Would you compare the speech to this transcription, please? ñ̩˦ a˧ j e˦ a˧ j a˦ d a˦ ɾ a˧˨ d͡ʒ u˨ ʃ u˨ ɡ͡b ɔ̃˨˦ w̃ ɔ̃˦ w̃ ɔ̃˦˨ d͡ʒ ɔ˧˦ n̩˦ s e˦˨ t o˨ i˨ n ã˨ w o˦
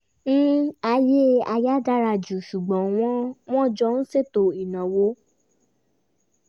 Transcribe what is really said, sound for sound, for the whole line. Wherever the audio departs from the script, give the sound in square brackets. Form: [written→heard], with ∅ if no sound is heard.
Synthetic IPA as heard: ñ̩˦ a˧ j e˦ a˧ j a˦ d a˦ ɾ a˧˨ d͡ʒ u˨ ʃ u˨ ɡ͡b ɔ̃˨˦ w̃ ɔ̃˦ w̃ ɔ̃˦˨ d͡ʒ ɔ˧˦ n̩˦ s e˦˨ t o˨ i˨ n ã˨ w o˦

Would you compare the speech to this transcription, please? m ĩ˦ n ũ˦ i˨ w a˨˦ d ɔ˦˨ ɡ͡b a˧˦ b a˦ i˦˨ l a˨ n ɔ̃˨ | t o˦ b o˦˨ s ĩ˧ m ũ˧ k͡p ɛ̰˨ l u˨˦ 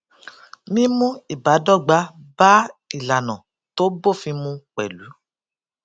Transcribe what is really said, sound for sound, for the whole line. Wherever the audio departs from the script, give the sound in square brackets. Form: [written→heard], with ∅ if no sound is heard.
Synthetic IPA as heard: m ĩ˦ [n→m] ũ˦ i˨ [w→b] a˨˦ d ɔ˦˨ ɡ͡b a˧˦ b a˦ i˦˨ l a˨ n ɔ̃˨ | t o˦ b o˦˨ [s→f] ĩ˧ m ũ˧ k͡p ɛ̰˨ l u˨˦

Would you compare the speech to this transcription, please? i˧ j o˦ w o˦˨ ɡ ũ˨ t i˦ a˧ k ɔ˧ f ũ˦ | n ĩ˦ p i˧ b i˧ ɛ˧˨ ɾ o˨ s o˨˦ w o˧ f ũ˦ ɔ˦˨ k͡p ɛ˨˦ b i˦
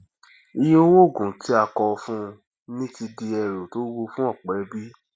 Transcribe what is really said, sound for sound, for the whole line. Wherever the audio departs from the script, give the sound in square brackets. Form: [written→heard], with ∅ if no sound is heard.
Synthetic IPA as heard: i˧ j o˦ w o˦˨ ɡ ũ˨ t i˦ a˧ k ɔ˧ f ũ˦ | n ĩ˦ [p→t] i˧ [b→d] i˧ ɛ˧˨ ɾ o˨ [s→t] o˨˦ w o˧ f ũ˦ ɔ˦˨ k͡p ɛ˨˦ b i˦

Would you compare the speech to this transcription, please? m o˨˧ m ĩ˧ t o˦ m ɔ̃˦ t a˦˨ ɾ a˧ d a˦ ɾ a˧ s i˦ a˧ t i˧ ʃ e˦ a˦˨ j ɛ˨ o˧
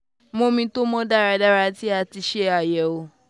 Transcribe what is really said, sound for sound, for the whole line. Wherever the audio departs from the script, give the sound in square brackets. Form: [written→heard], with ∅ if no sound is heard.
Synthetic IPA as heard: m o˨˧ m ĩ˧ t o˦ m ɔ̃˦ [t→d] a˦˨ ɾ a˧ d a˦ ɾ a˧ [s→t] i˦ a˧ t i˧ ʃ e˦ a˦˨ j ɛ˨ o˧

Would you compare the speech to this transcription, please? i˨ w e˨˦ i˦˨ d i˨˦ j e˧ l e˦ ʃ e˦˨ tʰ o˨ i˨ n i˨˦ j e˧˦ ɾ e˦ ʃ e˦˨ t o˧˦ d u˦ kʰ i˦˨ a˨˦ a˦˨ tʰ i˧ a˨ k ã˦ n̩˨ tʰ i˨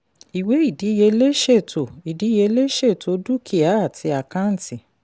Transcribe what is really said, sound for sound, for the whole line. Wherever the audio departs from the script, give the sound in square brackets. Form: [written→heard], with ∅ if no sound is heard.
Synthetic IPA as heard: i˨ w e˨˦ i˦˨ d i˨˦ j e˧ l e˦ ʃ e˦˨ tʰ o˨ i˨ [n→d] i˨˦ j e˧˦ [ɾ→l] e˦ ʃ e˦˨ t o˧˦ d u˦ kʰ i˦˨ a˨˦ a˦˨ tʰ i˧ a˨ k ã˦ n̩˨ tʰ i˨

